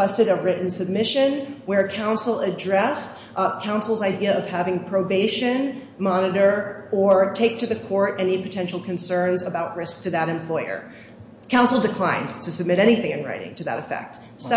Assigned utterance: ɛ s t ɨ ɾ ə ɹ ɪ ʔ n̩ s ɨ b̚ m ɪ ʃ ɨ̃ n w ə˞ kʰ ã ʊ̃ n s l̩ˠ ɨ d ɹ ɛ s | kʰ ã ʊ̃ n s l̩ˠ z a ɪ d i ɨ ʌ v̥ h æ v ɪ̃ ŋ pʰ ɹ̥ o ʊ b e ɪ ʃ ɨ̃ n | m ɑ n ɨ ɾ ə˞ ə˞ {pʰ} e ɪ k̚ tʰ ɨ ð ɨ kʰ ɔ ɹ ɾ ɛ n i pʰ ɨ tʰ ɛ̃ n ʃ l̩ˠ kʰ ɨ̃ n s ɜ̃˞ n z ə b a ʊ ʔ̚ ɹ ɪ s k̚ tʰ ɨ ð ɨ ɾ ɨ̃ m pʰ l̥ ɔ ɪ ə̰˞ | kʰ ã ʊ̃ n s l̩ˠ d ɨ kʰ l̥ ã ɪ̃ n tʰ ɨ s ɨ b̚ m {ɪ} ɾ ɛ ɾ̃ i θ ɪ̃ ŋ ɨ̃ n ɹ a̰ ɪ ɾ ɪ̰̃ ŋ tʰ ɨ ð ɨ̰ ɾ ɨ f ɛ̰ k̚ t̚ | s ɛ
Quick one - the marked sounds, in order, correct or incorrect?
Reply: incorrect, correct

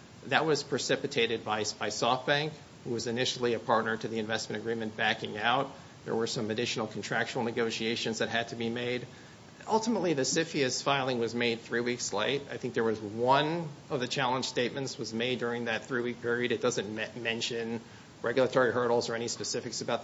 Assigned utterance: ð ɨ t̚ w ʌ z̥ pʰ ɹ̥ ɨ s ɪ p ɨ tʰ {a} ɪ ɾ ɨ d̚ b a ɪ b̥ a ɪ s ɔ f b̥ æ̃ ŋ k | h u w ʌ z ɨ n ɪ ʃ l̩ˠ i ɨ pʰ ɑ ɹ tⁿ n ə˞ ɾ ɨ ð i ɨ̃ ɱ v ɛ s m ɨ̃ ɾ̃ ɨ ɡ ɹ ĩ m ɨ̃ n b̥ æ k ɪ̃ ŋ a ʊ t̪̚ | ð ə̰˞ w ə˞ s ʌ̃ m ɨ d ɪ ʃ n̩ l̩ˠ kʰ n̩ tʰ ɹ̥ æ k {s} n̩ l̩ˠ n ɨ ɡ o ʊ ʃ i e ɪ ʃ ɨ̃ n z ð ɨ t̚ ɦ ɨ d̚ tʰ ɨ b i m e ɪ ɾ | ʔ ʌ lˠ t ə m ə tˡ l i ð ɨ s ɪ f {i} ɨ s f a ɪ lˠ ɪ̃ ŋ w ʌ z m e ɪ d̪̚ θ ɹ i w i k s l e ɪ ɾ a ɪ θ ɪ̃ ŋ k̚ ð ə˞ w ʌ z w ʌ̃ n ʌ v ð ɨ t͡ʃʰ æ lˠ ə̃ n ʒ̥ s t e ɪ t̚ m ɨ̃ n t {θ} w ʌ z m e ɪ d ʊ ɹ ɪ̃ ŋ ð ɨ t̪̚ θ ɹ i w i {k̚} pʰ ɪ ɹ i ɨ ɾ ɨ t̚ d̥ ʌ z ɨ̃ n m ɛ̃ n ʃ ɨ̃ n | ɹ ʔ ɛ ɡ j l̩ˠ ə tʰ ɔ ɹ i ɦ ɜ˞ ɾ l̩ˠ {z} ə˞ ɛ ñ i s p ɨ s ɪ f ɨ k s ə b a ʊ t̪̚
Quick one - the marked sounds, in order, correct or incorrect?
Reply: incorrect, incorrect, correct, incorrect, correct, correct

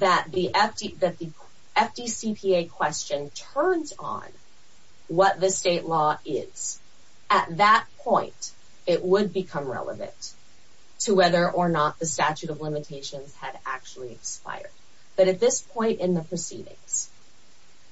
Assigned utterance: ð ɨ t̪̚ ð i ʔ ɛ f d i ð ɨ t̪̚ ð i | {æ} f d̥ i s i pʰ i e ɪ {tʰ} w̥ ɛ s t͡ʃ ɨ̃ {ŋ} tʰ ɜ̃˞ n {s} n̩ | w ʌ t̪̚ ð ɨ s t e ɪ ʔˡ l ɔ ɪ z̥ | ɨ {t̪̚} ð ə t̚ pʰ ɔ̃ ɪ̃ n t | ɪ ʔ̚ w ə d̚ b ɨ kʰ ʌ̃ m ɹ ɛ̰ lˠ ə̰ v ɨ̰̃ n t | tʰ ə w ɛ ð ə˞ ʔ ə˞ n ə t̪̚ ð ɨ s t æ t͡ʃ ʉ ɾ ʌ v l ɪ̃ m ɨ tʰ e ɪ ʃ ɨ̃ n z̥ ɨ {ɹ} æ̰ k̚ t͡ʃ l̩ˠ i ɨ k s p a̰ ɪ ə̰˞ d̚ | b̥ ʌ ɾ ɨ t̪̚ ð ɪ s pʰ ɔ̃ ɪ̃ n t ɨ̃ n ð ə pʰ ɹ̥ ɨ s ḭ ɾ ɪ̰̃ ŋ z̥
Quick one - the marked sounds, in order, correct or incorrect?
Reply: incorrect, incorrect, incorrect, incorrect, correct, incorrect

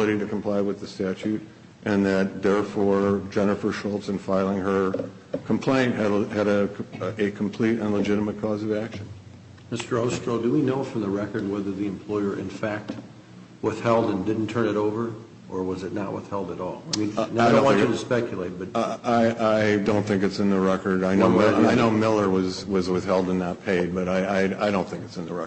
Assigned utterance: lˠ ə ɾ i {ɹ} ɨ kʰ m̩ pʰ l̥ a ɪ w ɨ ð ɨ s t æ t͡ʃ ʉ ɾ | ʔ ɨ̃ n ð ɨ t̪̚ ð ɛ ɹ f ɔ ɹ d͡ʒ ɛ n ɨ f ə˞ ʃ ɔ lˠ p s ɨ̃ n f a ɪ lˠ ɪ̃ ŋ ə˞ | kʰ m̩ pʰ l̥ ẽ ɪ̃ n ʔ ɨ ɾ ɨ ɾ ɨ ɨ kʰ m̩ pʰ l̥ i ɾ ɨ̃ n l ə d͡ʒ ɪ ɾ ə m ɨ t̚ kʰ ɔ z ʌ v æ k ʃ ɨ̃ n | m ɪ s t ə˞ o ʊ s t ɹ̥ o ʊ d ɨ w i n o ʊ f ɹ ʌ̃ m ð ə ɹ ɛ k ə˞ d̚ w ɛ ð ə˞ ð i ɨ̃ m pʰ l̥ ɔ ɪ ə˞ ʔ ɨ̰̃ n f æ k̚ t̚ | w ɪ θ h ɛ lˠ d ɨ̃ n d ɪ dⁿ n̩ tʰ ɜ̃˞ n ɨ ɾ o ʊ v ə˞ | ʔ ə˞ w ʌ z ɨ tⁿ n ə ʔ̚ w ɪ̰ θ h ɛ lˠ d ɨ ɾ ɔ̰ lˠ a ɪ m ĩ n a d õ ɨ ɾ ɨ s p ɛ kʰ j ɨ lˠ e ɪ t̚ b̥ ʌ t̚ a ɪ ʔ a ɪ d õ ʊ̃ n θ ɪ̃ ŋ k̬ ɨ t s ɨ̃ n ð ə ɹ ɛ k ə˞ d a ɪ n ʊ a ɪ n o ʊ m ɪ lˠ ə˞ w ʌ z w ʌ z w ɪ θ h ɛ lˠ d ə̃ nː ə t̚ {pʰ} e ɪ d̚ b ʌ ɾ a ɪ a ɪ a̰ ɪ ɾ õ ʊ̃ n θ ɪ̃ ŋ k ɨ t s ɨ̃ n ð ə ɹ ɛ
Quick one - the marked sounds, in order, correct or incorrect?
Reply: incorrect, correct

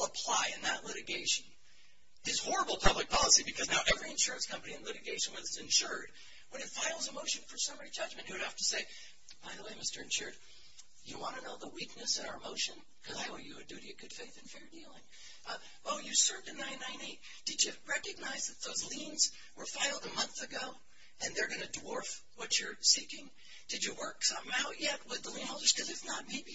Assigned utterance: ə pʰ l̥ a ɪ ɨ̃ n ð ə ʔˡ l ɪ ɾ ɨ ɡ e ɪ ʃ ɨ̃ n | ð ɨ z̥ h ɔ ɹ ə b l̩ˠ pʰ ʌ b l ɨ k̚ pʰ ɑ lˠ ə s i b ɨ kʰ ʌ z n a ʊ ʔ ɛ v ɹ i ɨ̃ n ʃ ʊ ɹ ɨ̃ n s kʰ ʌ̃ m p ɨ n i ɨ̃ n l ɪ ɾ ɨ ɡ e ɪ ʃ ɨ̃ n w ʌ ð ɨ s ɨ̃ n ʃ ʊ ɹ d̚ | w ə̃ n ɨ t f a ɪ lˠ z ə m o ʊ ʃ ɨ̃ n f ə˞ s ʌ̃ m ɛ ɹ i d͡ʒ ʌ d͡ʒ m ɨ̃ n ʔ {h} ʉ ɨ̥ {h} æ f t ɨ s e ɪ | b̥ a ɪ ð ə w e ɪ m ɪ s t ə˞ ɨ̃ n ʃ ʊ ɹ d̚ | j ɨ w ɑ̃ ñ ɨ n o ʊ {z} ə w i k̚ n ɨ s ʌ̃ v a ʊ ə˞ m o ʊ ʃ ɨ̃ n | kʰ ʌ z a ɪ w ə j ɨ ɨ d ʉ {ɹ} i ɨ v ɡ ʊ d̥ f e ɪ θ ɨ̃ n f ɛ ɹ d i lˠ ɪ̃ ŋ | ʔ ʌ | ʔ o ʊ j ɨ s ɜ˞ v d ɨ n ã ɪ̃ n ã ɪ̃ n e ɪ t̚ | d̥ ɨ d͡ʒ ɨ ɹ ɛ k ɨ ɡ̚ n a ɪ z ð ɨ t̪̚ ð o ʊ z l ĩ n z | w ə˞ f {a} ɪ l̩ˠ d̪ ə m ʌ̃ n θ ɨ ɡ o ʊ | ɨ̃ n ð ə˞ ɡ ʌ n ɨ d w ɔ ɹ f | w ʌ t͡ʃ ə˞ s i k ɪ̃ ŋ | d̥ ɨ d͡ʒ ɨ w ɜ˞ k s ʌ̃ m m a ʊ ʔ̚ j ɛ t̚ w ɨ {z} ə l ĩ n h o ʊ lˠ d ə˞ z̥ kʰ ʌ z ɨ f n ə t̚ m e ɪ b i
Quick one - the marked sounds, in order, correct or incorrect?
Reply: correct, correct, incorrect, incorrect, correct, incorrect

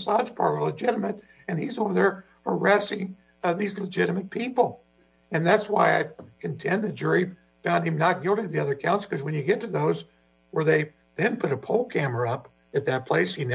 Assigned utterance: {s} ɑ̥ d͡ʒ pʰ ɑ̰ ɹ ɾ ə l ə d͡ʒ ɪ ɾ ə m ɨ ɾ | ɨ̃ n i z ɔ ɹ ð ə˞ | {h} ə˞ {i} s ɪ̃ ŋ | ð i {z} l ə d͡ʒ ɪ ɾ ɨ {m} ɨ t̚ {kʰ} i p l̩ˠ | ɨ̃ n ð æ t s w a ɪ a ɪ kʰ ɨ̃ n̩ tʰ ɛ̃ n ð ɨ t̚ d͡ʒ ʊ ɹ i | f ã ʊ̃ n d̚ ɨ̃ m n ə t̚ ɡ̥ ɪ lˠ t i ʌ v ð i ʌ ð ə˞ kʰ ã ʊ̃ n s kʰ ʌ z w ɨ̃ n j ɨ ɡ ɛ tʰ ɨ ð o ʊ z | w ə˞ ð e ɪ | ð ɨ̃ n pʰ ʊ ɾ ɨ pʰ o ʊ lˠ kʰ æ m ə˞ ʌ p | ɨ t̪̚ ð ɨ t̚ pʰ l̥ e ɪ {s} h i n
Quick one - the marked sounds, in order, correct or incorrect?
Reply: correct, correct, incorrect, correct, correct, incorrect, correct

